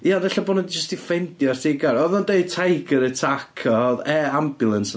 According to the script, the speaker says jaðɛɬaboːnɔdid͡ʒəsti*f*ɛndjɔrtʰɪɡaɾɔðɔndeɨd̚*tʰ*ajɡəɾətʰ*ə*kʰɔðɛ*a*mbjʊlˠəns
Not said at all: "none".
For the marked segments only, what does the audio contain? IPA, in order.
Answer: f, tʰ, a, a

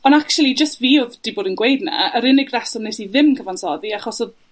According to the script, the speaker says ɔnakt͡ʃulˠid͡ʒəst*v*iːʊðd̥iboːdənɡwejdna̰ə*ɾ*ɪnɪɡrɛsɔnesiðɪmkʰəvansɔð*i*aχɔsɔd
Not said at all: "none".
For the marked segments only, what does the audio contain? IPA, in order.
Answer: v, ɾ, i

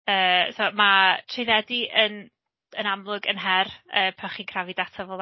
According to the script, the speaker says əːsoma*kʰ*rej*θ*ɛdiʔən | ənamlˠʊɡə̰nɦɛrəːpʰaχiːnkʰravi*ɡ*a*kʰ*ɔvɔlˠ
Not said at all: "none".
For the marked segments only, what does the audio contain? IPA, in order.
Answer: tʰ, ð, d, tʰ

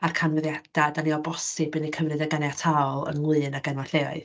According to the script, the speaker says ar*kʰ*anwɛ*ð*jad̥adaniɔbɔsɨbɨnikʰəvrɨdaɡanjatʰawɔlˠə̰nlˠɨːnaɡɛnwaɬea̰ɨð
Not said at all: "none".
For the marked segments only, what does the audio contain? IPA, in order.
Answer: kʰ, ð

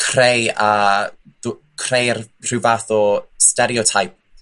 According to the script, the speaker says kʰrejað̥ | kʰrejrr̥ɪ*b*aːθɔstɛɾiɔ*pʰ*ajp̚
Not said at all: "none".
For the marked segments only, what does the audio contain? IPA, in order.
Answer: v, tʰ

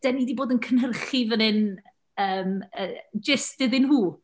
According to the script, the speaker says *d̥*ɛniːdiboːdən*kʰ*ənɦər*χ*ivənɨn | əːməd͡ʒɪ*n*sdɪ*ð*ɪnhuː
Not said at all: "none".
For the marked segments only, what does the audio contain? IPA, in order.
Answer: d̥, kʰ, χ, none, ð

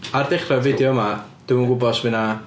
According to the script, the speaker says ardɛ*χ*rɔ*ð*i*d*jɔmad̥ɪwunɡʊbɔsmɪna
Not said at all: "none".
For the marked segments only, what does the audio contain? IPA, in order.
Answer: χ, v, d

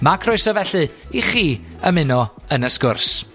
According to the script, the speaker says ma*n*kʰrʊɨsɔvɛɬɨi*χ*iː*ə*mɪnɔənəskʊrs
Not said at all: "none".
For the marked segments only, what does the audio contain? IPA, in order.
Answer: none, χ, ə

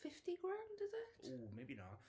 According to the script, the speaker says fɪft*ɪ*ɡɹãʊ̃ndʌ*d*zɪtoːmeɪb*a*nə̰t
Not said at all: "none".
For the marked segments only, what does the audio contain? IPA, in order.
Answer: i, none, i

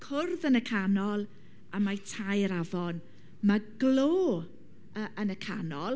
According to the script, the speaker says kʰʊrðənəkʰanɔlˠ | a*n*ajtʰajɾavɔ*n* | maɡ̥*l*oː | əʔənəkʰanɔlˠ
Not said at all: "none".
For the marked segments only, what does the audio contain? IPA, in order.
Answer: m, n, l

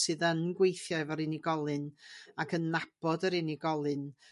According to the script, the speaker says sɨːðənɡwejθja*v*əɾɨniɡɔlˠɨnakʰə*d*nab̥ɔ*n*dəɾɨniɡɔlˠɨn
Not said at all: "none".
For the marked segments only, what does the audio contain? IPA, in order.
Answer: v, n, none

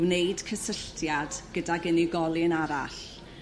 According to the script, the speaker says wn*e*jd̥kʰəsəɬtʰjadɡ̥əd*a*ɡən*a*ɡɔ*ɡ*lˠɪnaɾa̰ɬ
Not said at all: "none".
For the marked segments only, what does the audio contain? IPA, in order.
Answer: e, a, i, none

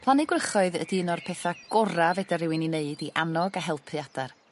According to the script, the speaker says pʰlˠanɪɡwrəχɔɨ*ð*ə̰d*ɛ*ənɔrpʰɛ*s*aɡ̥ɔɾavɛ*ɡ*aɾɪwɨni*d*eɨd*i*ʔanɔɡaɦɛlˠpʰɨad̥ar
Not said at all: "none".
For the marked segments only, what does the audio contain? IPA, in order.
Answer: ð, i, θ, d, n, i

